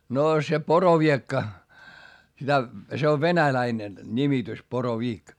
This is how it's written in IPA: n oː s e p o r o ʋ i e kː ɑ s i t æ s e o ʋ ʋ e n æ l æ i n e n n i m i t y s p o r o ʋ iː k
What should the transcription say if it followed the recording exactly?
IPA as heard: n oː s e p o r o ʋ i e kː ɑ s i t æ s e o ʋ ʋ e n æ l æ i n e n n i m i t y s p o r o ʋ iː k

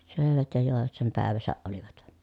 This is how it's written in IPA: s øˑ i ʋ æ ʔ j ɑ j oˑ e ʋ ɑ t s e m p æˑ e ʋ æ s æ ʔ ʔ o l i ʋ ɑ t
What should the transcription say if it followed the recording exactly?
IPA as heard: s øˑ e ʋ æ t j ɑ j oˑ e ʋ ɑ t s e m p æˑ e ʋ æ s æ ʔ ʔ o l i ʋ ɑ t

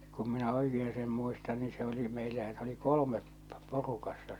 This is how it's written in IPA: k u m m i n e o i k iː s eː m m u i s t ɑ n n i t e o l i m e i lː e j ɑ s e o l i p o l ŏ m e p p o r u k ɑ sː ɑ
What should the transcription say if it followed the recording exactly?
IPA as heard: k u m m i n æ o i k eː s eː m m u i s t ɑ n n i s e o l i m e i lː æ j ɑ s e o l i k o l ŏ m e p p o r u k ɑ sː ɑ

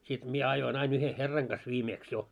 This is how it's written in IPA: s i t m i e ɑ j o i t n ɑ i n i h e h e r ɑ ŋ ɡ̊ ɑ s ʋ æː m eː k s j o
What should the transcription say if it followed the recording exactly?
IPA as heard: s i t m i e ɑ j o i n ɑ i n y h e h e rː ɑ ŋ ɡ̊ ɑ s ʋ iː m eː k s j o

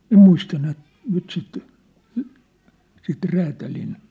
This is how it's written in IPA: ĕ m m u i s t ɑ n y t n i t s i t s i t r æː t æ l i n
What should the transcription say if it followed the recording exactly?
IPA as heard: ĕ m m u i s t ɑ n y t n y t s i t s i t r æː t æ l i n

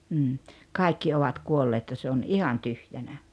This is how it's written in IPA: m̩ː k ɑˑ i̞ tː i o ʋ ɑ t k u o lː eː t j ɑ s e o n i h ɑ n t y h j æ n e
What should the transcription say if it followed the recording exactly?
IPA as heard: m̩ː k ɑˑ i̞ kː i o ʋ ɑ t k u o lː eː t j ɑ s e o n i h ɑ n t y h j æ n æ

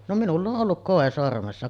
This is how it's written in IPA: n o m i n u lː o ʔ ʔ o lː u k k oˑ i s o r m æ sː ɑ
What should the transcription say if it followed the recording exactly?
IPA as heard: n o m i n u lː o ʔ ʔ o lː u k k oˑ e s o r m e sː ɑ

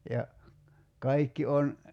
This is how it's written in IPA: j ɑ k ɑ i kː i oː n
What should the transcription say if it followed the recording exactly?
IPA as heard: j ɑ k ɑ i kː i o n

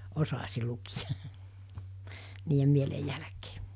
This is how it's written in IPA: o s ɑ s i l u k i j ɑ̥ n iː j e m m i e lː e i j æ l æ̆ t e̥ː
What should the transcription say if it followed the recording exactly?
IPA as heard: o s ɑ s i l u k i j ɑ̥ n iː j e m m i e l e j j æ l æ̆ k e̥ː

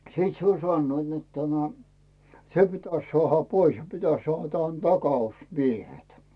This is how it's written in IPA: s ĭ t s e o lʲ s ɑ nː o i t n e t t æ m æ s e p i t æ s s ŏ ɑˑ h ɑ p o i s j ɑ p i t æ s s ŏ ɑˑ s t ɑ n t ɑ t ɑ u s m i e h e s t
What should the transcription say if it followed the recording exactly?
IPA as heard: s ĭ t s e o lʲ s ɑ nː o i t n e t t æ m æ s e p i t æ s s ŏ ɑˑ h ɑ p o i s j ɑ p i t æ s s ŏ ɑˑ h t ɑ n t ɑ k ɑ u s m i e h e t

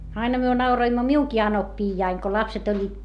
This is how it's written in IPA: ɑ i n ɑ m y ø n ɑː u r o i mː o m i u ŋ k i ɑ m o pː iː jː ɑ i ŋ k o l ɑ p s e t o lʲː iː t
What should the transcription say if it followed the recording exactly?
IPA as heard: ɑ i n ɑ m y ø n ɑ u r o i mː o m i u ŋ k i ɑ n o pː iː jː ɑ i ŋ k o l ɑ p s e t o lʲː iː t

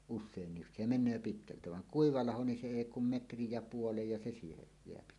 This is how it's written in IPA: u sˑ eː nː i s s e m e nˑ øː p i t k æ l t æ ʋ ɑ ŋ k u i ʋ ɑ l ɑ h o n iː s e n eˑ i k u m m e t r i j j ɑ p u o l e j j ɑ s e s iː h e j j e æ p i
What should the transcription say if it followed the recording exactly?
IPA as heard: u sˑ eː nː i s s e m e nˑ øː p i t k æ l t æ ʋ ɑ ŋ k u i ʋ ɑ l ɑ h o n i s e eˑ i k u m m e t r i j j ɑ p u o l e j j ɑ s e s iː h e j j e æ p i

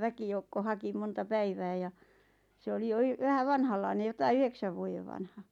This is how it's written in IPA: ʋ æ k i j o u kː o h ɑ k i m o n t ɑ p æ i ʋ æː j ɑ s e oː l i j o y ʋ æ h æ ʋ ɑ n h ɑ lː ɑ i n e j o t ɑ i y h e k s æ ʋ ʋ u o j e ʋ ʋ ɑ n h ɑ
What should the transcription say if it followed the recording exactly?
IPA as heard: ʋ æ k i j o u kː o h ɑ k i m o n t ɑ p æ i ʋ æː j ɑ s e o l i j o y ʋ æ h æ ʋ ɑ n h ɑ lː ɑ i n e j o t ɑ i y h e k s æ ʋ ʋ u o j e ʋ ʋ ɑ n h ɑ

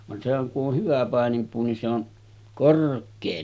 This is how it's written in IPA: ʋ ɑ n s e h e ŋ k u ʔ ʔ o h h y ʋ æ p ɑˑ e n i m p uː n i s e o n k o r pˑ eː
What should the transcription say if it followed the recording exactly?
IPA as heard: ʋ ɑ n s e h æ ŋ k u ʔ ʔ o h h y ʋ æ p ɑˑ e n i m p uː n i s e o n k o r kˑ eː

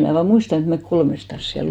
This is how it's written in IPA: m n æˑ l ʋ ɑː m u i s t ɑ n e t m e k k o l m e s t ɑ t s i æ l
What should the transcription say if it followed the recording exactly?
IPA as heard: m n æˑ ʋ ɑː m u i s t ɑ n e t m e k k o l m e s t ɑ s s i æ l

